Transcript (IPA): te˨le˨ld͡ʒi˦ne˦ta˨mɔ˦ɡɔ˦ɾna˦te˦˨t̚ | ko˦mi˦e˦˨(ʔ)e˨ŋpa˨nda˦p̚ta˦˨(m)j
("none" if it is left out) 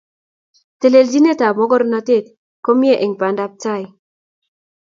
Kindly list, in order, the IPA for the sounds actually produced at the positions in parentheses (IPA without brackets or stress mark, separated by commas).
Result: ʔ, none